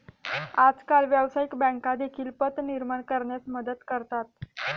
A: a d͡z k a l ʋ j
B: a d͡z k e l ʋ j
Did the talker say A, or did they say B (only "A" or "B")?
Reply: A